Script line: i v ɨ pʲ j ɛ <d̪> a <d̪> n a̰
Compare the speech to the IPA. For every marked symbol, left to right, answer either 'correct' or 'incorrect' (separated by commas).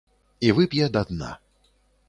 correct, correct